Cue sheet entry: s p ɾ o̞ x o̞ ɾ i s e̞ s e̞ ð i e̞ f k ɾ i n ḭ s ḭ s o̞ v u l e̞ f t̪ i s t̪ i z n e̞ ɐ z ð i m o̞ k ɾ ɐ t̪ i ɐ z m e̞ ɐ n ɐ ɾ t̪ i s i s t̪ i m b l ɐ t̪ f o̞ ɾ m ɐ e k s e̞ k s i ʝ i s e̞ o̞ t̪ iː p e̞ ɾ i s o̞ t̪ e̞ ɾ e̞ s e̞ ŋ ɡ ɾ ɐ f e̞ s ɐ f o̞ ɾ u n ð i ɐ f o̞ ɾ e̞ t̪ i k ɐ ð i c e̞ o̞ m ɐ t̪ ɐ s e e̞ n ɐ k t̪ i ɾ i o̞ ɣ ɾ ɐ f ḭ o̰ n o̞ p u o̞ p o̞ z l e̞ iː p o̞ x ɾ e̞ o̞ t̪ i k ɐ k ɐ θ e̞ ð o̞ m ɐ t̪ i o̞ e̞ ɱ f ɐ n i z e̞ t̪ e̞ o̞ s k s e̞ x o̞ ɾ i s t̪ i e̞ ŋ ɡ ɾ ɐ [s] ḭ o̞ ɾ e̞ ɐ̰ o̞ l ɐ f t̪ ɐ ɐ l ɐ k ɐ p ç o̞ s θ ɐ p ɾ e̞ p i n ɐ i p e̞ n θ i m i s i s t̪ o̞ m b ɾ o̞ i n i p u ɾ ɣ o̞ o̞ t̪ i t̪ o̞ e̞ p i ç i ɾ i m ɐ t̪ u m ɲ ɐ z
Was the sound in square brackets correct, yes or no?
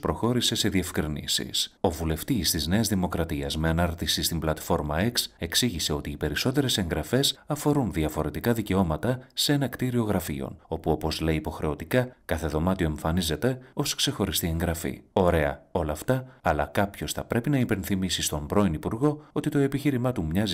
no